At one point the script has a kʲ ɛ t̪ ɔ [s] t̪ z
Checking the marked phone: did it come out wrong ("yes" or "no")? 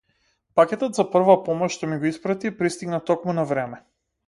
yes